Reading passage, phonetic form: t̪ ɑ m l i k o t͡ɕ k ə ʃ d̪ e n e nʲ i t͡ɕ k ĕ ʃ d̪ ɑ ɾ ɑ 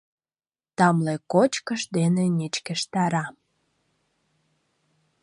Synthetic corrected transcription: t̪ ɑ m l e k o t͡ɕ k ə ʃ d̪ e n e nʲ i t͡ɕ k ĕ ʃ t̪ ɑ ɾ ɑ